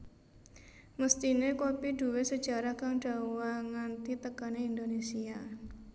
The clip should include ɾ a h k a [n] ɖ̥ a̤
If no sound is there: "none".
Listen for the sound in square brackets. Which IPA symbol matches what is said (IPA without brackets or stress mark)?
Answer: ŋ